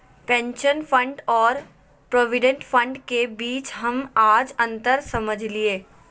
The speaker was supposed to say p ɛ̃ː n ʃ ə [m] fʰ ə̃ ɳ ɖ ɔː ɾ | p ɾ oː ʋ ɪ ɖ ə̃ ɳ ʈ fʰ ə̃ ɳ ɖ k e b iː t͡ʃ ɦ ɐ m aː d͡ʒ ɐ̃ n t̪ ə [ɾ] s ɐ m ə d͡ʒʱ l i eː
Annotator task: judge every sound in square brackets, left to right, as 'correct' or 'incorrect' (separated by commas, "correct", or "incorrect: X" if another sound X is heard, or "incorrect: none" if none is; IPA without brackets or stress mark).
incorrect: n, correct